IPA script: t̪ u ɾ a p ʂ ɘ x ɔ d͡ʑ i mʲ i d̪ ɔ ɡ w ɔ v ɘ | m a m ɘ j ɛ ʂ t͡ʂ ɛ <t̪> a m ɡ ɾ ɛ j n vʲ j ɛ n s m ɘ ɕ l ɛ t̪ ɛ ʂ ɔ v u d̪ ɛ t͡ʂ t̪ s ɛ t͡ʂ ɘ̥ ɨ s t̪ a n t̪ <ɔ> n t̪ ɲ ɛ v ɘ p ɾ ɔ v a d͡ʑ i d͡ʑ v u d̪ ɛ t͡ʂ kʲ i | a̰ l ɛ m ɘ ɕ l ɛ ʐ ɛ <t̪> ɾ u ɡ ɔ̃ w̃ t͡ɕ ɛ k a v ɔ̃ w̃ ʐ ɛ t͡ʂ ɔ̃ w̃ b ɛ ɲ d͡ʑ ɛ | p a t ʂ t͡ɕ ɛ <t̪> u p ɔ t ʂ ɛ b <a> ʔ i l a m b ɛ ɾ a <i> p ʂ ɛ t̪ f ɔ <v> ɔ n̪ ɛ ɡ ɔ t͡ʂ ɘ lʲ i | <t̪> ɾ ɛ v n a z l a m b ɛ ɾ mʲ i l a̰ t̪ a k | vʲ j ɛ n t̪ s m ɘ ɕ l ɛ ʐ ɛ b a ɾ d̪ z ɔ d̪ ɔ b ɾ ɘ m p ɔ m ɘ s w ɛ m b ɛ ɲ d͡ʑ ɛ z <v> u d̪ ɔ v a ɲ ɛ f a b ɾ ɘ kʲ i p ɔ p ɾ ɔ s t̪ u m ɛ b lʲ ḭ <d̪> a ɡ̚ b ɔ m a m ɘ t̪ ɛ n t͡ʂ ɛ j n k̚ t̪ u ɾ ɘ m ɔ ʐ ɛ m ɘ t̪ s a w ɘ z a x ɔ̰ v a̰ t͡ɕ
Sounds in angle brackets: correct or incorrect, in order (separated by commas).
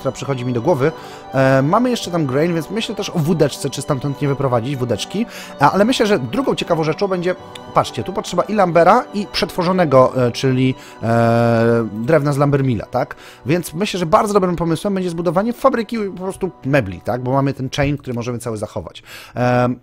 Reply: correct, correct, incorrect, correct, correct, correct, incorrect, incorrect, incorrect, incorrect